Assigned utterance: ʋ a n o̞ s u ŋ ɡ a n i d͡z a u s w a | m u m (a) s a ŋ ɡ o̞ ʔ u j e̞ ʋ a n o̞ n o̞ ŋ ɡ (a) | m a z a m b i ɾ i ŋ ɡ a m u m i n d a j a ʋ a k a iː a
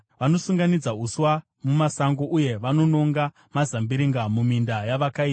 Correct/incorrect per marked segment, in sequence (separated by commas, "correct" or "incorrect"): correct, correct